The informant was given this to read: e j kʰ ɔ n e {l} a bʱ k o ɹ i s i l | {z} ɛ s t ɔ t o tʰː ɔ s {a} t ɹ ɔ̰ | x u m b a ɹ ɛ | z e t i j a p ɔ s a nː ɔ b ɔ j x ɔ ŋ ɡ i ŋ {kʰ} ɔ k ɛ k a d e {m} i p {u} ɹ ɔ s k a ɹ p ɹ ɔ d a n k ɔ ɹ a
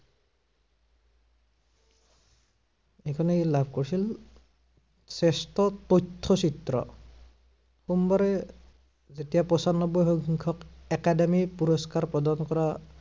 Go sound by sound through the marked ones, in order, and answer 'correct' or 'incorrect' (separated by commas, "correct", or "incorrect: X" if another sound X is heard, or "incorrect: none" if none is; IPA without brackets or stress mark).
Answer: correct, incorrect: s, incorrect: i, correct, correct, correct